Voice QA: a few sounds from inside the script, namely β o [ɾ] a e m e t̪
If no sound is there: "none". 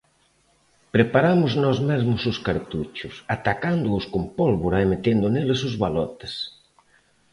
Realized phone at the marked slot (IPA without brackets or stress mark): ɾ